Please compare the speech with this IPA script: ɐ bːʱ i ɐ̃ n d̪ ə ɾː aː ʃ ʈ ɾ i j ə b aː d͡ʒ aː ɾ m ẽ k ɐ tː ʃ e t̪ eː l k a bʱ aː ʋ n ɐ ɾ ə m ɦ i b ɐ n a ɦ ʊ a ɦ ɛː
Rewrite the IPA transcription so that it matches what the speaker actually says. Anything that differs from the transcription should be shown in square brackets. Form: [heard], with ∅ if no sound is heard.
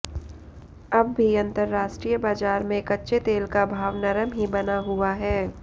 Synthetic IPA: ɐ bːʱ i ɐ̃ n [t̪] ə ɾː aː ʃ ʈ ɾ i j ə b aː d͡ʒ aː ɾ m ẽ k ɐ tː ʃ e t̪ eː l k a bʱ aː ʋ n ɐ ɾ ə m ɦ i b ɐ n a ɦ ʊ a ɦ ɛː